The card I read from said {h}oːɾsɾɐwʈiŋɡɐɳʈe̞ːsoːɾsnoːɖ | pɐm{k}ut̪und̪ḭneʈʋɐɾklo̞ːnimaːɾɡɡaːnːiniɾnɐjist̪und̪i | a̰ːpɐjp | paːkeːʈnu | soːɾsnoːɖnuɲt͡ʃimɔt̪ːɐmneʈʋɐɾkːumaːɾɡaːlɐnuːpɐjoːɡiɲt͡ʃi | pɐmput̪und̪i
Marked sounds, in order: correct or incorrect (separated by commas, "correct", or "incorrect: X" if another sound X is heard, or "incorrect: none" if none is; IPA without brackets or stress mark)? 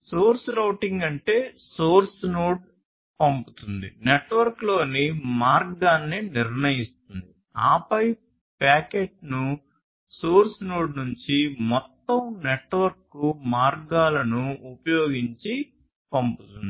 incorrect: s, incorrect: p